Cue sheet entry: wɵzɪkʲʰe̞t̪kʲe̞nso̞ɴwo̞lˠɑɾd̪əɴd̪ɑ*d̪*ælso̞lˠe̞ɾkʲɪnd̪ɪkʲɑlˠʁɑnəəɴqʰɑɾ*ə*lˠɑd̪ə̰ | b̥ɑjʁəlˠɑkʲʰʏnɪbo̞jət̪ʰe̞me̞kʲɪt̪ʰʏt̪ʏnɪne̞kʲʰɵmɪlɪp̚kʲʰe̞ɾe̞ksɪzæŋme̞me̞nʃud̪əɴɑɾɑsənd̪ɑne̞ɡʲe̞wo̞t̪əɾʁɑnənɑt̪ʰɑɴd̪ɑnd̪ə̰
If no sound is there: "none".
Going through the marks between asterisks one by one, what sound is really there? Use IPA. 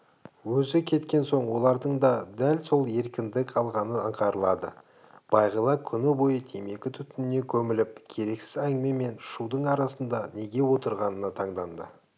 d̪, ə

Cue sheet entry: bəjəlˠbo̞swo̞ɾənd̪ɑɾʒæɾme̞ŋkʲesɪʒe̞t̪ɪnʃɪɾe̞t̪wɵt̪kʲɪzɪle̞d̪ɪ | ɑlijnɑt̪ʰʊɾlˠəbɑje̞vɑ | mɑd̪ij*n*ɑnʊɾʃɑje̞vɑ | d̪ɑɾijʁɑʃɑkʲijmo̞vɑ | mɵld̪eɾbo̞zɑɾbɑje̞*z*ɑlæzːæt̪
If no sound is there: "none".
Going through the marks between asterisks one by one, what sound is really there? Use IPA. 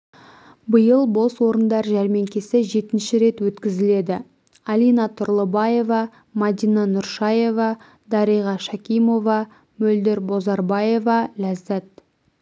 n, v

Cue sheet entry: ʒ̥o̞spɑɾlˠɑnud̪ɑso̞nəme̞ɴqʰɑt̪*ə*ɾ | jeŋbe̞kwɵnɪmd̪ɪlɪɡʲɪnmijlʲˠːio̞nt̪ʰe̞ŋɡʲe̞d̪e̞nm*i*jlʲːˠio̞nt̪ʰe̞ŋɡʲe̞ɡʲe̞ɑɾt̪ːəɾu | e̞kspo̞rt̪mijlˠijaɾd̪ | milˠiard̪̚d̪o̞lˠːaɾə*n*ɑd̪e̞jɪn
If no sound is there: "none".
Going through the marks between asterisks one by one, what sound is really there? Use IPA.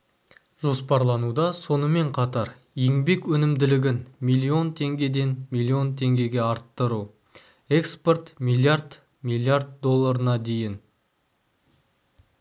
ɑ, i, n

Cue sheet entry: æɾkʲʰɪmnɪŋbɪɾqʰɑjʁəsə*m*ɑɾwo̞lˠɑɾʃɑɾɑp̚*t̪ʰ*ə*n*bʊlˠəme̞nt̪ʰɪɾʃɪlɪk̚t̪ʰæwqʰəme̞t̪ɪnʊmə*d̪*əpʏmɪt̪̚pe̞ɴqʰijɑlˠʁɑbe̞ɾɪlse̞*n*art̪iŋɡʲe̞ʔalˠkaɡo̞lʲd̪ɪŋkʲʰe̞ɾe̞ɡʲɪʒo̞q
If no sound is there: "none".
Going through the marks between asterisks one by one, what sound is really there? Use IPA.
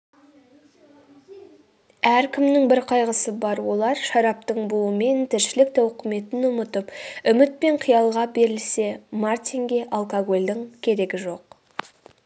b, t̪, ɴ, t̪, m

